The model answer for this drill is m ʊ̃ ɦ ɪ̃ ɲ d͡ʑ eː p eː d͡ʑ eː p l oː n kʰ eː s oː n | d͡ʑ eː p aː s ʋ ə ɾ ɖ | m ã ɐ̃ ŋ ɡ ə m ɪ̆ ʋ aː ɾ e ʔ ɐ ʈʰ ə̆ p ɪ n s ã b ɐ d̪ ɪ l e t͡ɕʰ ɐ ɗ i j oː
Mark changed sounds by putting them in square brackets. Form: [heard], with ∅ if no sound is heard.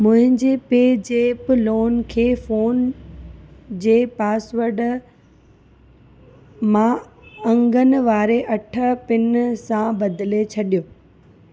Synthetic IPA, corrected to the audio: m ʊ̃ ɦ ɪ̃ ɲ d͡ʑ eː p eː d͡ʑ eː p l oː n kʰ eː [f] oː n | d͡ʑ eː p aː s ʋ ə ɾ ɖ | m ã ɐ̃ ŋ ɡ ə [n] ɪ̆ ʋ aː ɾ e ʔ ɐ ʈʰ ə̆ p ɪ n s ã b ɐ d̪ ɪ l e t͡ɕʰ ɐ ɗ i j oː